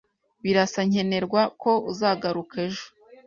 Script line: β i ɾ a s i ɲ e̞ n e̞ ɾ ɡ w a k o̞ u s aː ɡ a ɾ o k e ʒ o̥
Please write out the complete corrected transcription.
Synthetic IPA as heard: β i ɾ a s a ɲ e̞ n e̞ ɾ ɡ w a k o̞ u z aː ɡ a ɾ u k e ʒ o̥